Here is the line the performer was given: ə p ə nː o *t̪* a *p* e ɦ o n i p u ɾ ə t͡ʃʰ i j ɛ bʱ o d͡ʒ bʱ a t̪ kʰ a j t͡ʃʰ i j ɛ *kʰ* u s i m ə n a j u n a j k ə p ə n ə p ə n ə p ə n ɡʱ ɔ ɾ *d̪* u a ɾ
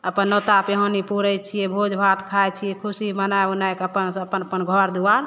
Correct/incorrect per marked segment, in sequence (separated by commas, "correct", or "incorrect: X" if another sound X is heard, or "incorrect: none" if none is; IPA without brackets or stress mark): correct, correct, correct, correct